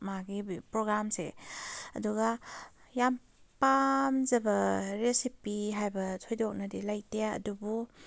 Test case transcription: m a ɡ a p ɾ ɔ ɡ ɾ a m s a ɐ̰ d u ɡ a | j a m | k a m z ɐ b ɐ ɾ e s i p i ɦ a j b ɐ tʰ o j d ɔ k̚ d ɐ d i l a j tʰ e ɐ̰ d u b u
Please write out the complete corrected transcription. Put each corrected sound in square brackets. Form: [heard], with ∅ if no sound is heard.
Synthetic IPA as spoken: m a ɡ [i] p ɾ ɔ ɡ ɾ a m s [e] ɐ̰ d u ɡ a | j a m | [p] a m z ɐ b ɐ ɾ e s i p i ɦ a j b ɐ tʰ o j d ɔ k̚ [n] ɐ d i l a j [t] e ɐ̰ d u b u